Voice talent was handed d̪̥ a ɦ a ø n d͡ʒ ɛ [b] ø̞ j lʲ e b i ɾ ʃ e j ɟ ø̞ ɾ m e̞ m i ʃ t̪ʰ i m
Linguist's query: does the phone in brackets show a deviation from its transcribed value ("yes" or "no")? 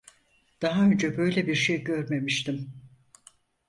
no